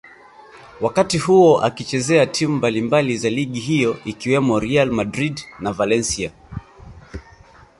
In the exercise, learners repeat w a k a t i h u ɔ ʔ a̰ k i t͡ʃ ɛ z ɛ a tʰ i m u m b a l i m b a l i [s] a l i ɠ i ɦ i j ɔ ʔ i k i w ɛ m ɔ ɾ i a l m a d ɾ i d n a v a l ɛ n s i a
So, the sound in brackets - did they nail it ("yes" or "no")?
no